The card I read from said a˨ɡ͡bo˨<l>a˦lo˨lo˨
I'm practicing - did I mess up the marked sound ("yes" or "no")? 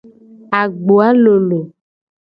yes